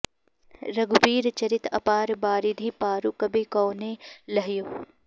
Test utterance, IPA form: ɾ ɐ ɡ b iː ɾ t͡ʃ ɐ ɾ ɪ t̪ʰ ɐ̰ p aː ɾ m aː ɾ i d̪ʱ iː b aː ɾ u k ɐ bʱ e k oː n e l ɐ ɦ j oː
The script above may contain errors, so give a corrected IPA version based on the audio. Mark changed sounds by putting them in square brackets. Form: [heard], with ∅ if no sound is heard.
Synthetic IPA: ɾ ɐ ɡ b iː ɾ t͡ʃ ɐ ɾ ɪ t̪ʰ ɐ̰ p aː ɾ [b] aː ɾ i d̪ʱ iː [p] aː ɾ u k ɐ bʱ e k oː n e l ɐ ɦ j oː